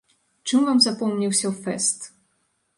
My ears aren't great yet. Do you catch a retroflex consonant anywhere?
yes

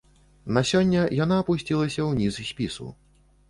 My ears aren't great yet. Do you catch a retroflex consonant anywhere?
no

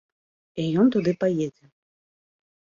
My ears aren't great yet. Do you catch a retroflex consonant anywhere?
no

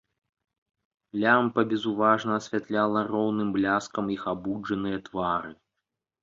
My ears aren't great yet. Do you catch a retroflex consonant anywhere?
yes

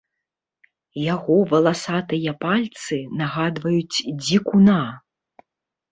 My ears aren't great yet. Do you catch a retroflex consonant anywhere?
no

